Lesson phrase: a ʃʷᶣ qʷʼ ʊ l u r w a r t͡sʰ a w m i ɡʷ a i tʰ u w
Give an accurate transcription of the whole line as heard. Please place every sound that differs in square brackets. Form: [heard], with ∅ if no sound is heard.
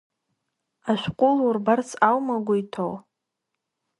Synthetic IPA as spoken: a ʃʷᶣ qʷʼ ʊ l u r [b] a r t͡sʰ a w m [a] ɡʷ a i tʰ [o] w